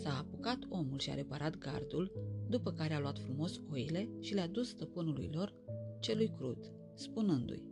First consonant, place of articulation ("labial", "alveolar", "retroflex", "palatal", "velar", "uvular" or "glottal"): alveolar